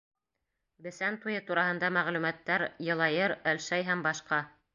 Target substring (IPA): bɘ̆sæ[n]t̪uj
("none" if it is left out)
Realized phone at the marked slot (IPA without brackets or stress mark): n